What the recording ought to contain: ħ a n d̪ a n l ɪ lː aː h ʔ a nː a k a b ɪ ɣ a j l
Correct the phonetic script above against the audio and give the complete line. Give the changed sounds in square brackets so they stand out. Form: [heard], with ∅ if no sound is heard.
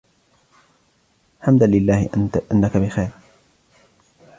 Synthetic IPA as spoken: ħ a [m] d̪ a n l ɪ lː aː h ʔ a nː a k a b ɪ [x] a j [ɾ]